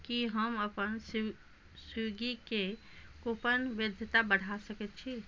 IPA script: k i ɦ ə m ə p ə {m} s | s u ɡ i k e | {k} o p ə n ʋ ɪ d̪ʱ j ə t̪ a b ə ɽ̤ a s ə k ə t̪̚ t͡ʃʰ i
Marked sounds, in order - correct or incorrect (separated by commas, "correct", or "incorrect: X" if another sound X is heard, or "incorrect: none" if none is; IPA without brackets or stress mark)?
incorrect: n, correct